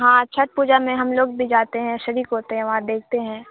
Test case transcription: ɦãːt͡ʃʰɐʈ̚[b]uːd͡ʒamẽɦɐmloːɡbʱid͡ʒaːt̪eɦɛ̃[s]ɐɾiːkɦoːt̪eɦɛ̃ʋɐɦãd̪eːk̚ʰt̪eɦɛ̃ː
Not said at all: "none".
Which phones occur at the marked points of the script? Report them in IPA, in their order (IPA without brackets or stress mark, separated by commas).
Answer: p, ʃ